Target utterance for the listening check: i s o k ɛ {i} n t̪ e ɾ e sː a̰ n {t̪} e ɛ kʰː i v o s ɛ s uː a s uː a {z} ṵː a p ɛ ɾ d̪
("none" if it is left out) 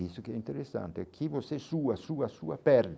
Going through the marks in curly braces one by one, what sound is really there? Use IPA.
i, t̪, s

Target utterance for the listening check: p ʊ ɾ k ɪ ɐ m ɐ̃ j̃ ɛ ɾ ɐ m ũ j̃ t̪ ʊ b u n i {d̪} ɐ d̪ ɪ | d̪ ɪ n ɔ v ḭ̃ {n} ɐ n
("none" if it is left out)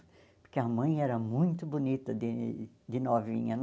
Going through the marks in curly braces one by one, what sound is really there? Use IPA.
t̪, ɲ

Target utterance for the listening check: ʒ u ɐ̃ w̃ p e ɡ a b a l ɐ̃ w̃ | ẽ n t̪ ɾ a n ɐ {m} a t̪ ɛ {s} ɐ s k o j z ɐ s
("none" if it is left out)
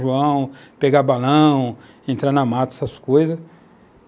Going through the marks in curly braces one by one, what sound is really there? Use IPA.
m, s

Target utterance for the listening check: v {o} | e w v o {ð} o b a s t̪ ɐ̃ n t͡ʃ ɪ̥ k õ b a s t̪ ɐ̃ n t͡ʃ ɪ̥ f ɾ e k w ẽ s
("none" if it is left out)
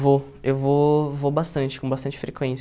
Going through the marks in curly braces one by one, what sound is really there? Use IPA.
o, v

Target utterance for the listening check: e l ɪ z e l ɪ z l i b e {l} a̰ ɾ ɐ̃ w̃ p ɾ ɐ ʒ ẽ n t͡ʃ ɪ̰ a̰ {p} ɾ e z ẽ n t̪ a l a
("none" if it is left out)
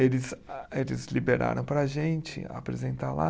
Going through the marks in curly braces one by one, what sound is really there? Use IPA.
ɾ, p

